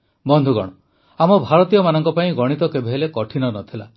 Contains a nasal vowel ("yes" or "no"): yes